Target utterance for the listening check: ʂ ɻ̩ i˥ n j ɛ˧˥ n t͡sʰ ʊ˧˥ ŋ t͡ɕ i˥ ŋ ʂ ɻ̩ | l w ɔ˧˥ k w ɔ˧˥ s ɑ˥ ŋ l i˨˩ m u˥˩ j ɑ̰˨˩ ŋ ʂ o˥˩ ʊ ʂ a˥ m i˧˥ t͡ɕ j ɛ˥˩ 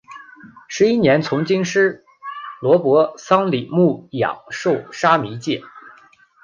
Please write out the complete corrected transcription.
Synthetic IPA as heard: ʂ ɻ̩ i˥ n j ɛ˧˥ n t͡sʰ ʊ˧˥ ŋ t͡ɕ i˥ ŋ ʂ ɻ̩ | l w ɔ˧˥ p w ɔ˧˥ s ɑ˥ ŋ l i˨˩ m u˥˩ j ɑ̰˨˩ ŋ ʂ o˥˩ ʊ ʂ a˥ m i˧˥ t͡ɕ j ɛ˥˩